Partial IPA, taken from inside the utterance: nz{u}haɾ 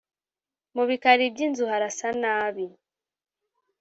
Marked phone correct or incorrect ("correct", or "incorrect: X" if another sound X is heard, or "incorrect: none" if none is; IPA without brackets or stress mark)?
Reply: correct